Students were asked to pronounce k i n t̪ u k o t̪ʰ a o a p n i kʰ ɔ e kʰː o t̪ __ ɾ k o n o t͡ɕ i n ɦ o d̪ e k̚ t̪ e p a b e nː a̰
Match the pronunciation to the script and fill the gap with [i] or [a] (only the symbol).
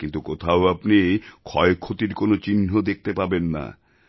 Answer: i